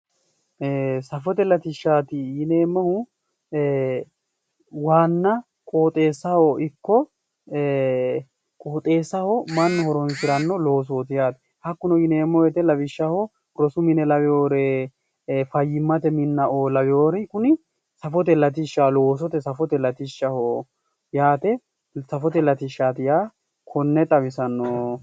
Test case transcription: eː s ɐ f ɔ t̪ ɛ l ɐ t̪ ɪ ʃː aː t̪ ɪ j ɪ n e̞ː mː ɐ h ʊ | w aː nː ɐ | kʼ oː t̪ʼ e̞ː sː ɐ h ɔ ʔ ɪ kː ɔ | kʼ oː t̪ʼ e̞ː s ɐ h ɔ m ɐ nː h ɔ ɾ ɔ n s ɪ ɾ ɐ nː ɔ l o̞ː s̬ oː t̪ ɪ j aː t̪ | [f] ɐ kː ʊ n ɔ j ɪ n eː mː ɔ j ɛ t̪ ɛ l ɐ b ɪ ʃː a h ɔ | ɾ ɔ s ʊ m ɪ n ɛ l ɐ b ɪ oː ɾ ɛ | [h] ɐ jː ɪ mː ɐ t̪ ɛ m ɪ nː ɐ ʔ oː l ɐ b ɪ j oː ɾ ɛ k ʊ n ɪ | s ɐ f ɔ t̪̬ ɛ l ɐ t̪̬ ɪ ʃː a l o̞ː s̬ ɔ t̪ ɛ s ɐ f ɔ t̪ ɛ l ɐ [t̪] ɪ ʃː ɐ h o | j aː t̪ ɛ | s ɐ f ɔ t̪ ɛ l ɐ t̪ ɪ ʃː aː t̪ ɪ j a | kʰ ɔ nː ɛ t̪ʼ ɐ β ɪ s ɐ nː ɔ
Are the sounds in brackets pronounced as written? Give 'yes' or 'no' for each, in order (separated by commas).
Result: no, no, yes